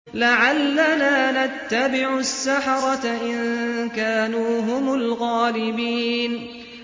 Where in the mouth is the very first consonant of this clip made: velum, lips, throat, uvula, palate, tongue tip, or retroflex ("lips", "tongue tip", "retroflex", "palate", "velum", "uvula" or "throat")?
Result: tongue tip